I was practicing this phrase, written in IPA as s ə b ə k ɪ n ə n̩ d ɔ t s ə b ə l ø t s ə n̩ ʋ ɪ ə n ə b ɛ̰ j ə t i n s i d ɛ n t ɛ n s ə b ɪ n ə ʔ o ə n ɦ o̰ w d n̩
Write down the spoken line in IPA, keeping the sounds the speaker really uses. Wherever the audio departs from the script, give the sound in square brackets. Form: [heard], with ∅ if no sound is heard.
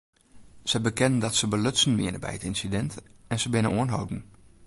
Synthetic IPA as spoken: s ə b ə k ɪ n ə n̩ d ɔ t s ə b ə l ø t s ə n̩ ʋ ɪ ə n ə b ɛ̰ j ə t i n s i d ɛ n t ɛ n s ə b ɪ n ə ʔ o ə n ɦ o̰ w d n̩